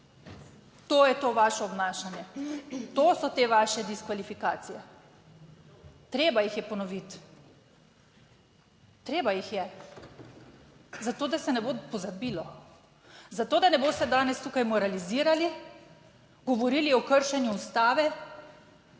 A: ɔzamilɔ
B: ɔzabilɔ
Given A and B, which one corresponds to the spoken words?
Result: B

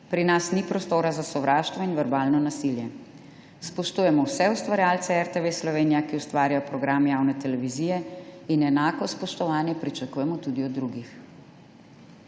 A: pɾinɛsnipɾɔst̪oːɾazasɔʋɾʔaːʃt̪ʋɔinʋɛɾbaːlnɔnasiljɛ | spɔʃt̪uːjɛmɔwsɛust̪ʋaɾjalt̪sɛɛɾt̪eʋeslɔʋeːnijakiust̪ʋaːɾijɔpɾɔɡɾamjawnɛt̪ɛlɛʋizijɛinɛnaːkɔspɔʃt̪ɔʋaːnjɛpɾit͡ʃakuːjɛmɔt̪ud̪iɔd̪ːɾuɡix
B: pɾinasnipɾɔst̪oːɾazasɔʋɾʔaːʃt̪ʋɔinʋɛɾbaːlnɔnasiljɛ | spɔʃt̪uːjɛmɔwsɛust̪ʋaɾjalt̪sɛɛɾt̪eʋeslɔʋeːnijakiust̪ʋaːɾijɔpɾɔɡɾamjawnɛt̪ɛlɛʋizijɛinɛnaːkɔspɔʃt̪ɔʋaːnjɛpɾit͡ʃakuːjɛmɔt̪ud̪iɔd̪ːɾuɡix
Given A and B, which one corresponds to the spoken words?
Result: B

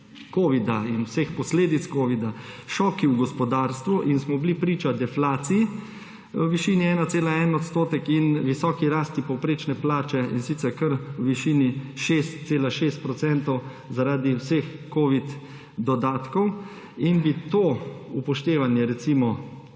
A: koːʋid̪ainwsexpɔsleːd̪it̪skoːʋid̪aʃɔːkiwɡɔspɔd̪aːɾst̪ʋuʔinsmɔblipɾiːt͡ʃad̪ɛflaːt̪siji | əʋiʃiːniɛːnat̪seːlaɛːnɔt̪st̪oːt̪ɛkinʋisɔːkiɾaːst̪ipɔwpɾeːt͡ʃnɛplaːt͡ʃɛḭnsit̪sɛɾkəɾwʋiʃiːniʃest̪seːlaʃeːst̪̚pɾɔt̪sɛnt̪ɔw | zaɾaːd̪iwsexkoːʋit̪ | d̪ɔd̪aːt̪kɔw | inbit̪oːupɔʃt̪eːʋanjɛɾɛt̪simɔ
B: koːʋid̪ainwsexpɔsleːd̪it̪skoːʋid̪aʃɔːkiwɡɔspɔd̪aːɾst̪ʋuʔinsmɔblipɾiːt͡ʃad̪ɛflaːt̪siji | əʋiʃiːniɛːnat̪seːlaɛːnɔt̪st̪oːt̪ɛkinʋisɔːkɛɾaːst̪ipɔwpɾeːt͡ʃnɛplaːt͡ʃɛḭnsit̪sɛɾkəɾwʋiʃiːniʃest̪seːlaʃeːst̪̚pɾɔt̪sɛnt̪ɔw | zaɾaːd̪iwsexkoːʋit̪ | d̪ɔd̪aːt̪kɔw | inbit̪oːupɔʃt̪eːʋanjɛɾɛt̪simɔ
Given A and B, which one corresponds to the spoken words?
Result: A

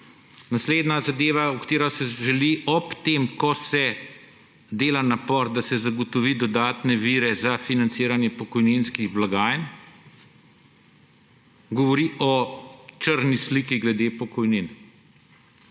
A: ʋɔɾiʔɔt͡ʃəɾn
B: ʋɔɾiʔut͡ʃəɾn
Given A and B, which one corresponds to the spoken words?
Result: A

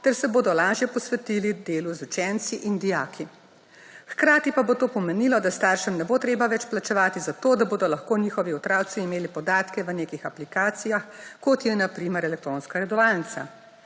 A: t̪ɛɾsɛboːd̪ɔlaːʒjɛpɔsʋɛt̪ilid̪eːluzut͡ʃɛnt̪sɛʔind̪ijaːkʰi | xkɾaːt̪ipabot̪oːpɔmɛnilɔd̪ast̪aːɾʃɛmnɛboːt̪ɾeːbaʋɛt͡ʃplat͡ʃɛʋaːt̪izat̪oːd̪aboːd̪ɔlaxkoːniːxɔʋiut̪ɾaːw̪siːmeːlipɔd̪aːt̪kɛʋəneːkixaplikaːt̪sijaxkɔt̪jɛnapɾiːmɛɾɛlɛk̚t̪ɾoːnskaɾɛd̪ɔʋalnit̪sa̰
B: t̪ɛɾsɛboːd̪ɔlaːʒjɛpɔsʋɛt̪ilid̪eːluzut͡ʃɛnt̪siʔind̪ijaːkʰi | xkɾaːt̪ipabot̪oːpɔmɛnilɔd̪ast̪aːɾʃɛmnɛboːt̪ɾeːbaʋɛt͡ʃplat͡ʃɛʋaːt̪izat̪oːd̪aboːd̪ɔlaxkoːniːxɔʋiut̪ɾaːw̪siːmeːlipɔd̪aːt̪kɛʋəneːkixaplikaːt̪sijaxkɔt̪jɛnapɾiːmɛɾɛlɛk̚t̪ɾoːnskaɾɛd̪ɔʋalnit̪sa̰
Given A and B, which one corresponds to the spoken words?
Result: B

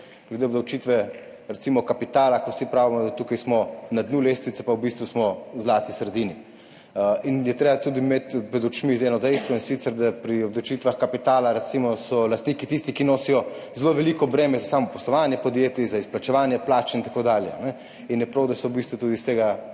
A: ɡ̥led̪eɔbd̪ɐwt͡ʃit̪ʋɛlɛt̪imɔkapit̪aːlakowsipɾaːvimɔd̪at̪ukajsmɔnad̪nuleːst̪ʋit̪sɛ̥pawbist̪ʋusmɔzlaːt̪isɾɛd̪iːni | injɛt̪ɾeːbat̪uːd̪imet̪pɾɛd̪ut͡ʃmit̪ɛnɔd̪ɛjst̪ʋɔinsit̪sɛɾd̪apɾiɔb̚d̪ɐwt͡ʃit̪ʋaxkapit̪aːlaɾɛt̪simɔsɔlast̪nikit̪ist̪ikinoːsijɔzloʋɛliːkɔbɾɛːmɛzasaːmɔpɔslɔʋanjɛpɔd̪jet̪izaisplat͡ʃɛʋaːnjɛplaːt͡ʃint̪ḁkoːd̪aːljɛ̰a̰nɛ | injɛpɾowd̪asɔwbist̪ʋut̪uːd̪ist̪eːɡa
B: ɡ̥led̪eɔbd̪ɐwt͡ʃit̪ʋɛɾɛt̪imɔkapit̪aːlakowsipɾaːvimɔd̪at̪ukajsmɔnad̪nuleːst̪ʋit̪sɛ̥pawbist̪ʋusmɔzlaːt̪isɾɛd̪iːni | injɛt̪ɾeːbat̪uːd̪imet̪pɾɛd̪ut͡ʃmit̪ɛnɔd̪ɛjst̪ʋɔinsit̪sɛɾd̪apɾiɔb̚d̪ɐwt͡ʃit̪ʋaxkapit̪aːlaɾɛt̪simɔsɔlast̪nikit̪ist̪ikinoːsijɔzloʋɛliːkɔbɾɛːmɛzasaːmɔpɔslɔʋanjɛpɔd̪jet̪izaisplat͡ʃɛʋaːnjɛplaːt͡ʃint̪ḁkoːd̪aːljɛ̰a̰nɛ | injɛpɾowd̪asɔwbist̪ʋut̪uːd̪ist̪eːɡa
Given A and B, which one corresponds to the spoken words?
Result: B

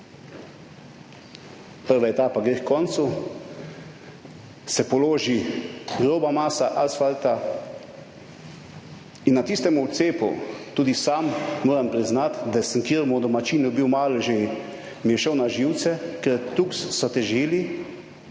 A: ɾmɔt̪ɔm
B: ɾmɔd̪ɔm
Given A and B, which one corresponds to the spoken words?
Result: B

